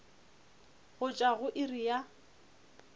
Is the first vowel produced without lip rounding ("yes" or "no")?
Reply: no